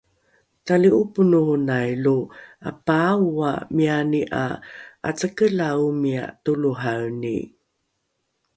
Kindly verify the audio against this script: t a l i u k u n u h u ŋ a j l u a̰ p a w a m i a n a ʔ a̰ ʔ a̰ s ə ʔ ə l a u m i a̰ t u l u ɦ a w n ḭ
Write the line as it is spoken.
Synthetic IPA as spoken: t a l i u p u n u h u n a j l u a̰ p a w a m i a n i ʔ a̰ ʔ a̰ t͡s ə k ə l a u m i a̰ t u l u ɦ a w n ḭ